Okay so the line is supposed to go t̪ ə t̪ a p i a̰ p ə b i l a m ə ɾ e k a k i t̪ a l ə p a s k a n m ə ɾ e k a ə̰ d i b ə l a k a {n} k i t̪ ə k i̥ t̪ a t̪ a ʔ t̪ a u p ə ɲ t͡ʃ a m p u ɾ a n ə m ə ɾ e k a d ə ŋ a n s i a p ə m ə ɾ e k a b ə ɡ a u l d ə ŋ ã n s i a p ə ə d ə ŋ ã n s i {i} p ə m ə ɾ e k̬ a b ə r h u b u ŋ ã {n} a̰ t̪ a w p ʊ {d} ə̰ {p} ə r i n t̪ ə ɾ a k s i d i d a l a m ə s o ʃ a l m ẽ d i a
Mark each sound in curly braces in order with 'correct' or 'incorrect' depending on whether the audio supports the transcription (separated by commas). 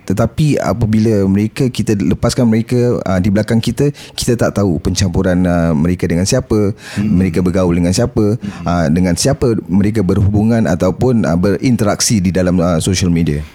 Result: incorrect, incorrect, correct, incorrect, incorrect